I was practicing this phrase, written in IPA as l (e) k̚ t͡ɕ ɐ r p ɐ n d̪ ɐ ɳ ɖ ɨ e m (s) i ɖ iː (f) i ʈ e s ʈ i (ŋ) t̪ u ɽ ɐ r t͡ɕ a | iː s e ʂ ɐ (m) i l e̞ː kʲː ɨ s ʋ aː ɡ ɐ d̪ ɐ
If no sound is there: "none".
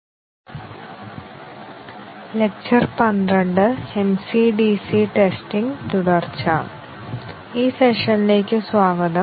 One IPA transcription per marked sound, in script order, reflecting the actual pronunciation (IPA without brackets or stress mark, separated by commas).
e, s, s, ŋ, n